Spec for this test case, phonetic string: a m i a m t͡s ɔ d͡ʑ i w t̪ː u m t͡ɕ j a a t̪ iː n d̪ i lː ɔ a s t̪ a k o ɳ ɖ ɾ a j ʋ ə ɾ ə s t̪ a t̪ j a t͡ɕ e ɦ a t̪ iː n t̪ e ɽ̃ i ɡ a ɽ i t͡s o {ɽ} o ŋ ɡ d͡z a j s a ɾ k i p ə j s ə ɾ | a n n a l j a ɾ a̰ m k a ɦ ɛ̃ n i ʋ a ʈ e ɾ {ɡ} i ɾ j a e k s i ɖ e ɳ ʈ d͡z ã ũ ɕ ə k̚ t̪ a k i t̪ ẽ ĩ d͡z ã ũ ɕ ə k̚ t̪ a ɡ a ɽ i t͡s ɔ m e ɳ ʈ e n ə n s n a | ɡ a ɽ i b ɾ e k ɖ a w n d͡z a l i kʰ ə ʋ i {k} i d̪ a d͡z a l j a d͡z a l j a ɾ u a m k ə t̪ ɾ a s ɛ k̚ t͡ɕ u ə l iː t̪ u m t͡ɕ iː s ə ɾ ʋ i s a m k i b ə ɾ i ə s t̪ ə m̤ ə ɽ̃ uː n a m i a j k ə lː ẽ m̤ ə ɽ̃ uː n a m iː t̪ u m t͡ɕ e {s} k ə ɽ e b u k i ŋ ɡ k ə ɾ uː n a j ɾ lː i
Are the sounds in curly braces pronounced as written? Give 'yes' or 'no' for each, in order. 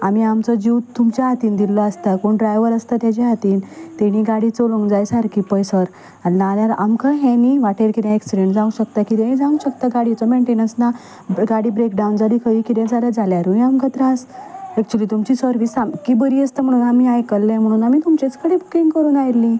no, no, yes, no

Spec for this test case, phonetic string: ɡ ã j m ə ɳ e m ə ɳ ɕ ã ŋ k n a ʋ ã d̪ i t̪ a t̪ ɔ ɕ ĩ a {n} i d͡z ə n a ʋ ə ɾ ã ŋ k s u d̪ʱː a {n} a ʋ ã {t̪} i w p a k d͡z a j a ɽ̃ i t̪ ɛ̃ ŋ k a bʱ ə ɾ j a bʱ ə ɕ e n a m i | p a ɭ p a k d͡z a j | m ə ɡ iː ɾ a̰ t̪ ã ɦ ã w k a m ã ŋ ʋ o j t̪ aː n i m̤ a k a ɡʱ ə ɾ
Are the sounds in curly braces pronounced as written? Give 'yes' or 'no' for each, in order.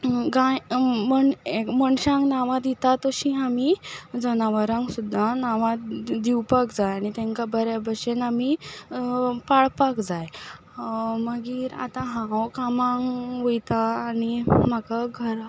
no, yes, no

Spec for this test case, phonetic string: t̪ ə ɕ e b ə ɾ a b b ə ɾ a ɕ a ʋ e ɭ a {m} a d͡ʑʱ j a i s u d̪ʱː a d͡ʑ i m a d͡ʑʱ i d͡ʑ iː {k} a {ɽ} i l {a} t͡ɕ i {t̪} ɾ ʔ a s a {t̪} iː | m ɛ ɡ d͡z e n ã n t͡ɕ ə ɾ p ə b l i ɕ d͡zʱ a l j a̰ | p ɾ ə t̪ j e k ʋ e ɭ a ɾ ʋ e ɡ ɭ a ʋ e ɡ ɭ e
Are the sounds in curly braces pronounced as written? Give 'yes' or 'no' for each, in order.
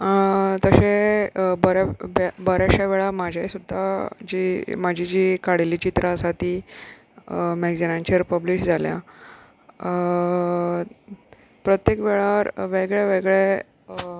yes, yes, yes, no, yes, yes

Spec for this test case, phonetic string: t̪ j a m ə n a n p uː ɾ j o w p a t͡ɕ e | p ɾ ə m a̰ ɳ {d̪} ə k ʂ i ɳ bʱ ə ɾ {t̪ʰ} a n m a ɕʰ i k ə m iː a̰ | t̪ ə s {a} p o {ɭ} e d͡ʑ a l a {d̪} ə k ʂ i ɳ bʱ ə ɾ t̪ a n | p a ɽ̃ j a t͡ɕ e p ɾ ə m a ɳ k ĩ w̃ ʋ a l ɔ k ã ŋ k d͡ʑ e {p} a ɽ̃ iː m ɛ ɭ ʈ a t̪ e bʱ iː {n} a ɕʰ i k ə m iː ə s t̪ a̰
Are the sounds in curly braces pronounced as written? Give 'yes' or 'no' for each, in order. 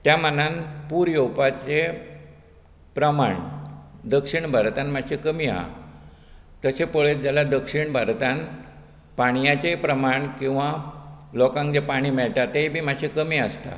yes, no, no, yes, yes, yes, no

